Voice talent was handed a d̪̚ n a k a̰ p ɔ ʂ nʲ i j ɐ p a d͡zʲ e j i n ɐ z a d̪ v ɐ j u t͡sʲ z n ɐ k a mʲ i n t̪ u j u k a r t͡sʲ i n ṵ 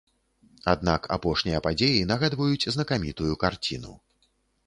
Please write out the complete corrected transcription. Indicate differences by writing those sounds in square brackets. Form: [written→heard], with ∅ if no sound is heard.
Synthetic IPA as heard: a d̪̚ n a k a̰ p ɔ ʂ nʲ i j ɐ p a d͡zʲ e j i n ɐ [z→ɣ] a d̪ v ɐ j u t͡sʲ z n ɐ k a mʲ i [n→∅] t̪ u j u k a r t͡sʲ i n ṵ